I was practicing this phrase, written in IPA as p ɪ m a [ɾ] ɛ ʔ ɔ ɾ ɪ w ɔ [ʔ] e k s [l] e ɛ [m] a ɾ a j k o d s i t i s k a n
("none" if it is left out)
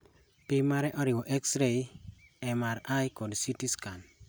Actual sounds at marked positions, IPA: ɾ, ʔ, ɾ, m

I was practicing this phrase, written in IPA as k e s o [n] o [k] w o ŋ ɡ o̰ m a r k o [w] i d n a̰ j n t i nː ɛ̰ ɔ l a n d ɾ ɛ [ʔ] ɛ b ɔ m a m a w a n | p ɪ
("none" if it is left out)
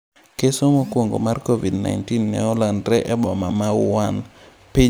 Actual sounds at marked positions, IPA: m, k, v, ʔ

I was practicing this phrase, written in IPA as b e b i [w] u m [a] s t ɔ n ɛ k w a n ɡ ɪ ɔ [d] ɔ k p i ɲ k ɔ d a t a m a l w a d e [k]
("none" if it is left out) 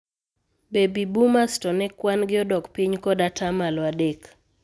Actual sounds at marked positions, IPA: b, a, d, k

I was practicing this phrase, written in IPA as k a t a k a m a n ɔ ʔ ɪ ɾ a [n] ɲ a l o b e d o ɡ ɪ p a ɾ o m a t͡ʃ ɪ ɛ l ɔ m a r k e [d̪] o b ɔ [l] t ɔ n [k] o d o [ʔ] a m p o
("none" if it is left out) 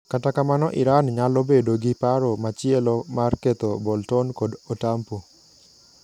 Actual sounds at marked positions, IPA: n, t̪, l, k, t

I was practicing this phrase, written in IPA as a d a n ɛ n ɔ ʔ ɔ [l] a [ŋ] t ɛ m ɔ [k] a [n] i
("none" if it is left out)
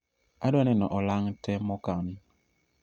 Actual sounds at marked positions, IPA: l, ŋ, k, n

